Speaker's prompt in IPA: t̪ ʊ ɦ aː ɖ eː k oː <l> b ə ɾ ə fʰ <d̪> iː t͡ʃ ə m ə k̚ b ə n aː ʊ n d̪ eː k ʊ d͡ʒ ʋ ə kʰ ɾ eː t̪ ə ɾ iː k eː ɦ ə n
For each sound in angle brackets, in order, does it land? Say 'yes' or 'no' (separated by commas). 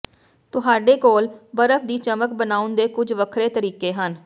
yes, yes